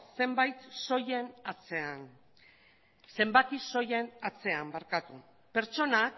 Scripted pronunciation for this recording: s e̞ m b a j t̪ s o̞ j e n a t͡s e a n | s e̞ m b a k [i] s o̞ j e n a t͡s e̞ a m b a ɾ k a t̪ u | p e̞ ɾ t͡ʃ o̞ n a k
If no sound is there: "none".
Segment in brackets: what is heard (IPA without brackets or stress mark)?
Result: i